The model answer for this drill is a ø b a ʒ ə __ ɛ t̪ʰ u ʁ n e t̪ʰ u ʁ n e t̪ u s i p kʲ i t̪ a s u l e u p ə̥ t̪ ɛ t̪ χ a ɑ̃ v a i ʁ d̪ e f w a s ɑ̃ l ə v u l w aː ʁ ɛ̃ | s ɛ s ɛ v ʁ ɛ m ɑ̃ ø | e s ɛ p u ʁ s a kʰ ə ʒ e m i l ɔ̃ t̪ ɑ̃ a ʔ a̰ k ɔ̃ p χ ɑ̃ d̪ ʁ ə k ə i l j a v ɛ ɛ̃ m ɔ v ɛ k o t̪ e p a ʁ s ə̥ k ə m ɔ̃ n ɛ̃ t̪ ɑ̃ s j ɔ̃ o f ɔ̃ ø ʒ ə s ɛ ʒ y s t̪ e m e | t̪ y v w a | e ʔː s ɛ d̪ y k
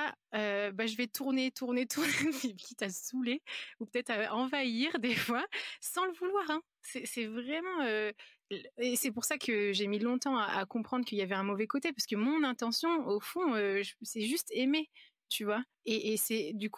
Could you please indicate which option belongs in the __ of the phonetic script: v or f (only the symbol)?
v